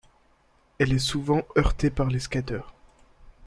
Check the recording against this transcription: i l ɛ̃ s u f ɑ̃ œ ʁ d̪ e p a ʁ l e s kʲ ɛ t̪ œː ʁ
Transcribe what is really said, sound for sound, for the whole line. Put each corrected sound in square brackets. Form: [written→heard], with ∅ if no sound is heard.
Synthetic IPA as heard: [i→ɛ] l [ɛ̃→ɛ] s u [f→v] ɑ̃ œ ʁ [d̪→t̪] e p a ʁ l e s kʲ [ɛ→a] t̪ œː ʁ